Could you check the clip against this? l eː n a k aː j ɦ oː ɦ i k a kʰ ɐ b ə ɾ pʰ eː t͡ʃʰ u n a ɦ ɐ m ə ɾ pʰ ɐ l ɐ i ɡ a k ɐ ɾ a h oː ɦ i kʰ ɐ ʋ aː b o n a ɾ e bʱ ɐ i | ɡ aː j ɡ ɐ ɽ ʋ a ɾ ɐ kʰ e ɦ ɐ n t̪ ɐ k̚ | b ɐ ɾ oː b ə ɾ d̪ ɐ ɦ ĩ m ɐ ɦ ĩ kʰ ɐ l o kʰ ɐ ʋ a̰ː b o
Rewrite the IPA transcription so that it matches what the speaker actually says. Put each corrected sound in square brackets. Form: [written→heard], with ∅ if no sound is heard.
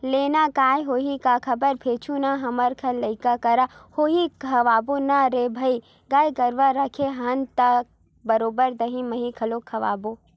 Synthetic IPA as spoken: l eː n a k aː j ɦ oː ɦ i k a kʰ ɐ b ə ɾ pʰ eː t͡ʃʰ u n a ɦ ɐ m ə ɾ [pʰ→kʰ] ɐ l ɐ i [ɡ→k] a k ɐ ɾ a h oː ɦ i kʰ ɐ ʋ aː b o n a ɾ e bʱ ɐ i | ɡ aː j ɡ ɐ [ɽ→ɾ] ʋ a ɾ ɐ kʰ e ɦ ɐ n t̪ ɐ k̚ | b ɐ ɾ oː b ə ɾ d̪ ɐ ɦ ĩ m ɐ ɦ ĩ kʰ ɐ l o kʰ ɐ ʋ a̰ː b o